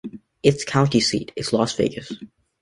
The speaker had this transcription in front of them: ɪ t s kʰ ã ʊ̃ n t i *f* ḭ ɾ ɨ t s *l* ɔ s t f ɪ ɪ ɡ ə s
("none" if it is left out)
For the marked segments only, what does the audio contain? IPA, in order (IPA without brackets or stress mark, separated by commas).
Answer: s, l